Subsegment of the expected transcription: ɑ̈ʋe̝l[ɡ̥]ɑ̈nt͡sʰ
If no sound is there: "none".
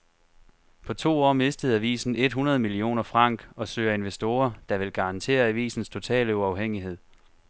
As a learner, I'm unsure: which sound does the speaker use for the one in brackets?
ɡ̥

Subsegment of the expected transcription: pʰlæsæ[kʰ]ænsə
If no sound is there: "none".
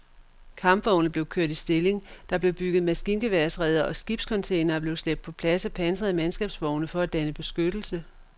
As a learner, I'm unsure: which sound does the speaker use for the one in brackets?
pʰ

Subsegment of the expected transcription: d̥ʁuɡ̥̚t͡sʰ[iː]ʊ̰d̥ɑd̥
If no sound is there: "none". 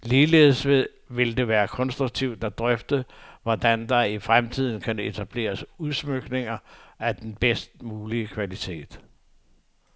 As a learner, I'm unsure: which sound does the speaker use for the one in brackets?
i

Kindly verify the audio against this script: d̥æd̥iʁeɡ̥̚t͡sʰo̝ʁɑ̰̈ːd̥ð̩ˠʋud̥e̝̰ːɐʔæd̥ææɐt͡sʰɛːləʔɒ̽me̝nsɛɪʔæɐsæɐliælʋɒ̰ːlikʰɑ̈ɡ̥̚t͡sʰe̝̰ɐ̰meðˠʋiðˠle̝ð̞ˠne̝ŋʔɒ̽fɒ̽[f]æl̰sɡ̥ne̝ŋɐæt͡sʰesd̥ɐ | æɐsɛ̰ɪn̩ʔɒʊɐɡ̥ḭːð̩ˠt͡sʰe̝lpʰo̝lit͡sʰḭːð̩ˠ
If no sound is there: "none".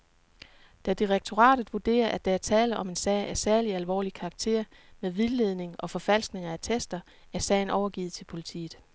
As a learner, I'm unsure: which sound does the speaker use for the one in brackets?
f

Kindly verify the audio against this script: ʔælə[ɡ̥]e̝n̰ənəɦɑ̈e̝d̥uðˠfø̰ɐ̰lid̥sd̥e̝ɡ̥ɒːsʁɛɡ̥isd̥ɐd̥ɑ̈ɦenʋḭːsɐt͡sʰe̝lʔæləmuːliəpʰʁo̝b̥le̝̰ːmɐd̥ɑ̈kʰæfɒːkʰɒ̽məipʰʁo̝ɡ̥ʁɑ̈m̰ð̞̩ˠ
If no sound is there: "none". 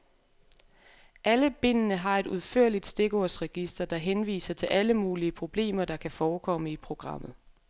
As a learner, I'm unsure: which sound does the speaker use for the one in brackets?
b̥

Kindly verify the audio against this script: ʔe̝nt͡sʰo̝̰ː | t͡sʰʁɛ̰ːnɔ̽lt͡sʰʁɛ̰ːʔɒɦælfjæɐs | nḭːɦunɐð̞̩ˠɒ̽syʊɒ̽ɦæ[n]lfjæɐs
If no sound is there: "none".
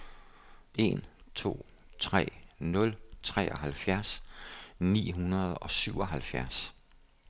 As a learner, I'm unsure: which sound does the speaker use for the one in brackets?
none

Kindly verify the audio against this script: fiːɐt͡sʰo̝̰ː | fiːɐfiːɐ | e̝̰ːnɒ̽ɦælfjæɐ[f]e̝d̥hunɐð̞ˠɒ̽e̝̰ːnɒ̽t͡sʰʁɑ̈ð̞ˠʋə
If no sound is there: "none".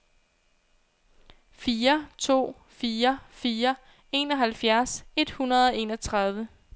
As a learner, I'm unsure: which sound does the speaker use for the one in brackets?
s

